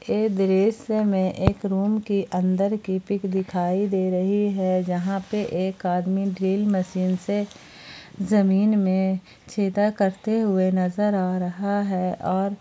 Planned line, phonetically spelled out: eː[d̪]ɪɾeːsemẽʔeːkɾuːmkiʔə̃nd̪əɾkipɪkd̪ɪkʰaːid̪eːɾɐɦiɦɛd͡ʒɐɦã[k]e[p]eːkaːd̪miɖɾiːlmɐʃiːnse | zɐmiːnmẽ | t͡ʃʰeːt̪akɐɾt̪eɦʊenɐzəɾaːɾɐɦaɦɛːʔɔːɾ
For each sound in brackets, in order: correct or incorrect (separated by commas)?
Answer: correct, incorrect, incorrect